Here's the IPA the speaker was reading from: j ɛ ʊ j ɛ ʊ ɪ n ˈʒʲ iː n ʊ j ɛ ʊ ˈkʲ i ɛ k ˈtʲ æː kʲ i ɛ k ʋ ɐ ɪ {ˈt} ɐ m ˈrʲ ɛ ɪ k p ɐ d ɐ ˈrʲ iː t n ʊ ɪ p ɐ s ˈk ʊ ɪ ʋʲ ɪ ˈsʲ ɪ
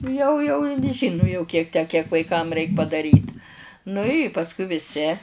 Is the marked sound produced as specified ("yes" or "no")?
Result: no